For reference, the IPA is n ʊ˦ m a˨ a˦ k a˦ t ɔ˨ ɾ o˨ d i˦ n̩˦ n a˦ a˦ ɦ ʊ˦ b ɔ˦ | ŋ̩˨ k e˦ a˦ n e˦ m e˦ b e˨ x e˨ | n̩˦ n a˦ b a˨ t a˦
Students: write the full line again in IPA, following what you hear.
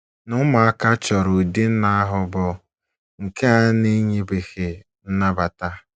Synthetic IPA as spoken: n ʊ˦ m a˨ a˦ k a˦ t͡ʃ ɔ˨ ɾ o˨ d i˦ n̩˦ n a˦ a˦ ɦ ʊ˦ b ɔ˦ | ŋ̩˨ k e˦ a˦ n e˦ ɲ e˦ b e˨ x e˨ | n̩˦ n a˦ b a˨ t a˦